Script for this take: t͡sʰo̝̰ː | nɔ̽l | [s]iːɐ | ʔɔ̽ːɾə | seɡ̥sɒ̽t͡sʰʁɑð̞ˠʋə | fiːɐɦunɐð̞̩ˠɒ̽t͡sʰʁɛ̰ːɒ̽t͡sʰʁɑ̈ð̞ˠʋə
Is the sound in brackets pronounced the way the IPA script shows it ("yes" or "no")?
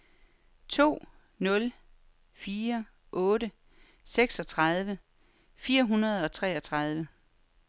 no